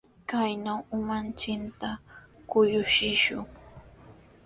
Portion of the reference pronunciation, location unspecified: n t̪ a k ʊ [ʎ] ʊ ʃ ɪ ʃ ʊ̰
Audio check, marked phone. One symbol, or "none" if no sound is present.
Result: j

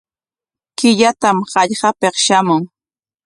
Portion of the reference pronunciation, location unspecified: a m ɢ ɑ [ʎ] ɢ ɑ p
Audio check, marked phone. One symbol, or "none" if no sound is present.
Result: ʎ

